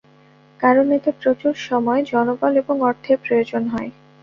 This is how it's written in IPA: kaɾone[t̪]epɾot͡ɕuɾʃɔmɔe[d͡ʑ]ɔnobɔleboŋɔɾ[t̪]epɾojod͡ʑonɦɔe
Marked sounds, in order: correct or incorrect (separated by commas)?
correct, correct, incorrect